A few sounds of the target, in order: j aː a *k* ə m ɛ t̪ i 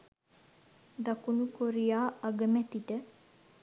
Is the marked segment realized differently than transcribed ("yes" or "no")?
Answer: yes